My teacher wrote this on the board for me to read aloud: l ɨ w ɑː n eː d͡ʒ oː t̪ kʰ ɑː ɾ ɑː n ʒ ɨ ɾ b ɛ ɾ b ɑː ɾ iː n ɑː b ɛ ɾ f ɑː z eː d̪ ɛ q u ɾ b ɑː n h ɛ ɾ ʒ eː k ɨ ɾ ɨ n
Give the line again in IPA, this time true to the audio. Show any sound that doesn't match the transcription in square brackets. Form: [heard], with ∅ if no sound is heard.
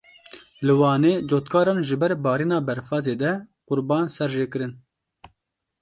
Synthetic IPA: l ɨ w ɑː n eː d͡ʒ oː t̪ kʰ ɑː ɾ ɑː n ʒ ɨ [∅] b ɛ ɾ b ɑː ɾ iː n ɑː b ɛ ɾ f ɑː z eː d̪ ɛ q [ʊ] ɾ b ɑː n [s] ɛ ɾ ʒ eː k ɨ ɾ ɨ n